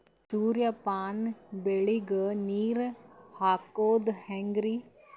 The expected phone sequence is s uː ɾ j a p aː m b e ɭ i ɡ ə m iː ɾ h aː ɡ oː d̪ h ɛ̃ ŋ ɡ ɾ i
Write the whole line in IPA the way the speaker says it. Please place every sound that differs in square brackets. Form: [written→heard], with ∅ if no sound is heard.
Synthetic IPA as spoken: s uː ɾ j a p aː [m→n] b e ɭ i ɡ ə [m→n] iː ɾ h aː [ɡ→k] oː d̪ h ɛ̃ ŋ ɡ ɾ i